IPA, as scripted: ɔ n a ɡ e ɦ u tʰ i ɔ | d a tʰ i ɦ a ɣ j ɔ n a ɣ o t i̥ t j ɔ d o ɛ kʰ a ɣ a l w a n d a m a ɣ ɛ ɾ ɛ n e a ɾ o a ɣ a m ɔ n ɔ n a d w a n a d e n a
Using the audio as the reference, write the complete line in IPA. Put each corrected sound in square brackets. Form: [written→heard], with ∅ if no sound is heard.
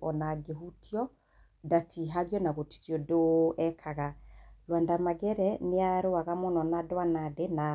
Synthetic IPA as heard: ɔ n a ɡ e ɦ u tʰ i ɔ | d a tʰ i ɦ a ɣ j ɔ n a ɣ o t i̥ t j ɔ d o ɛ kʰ a ɣ a l w a n d a m a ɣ ɛ ɾ ɛ n e a ɾ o a ɣ a m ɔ n ɔ n a d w a n a d e n a